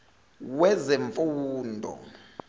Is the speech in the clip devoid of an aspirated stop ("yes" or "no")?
yes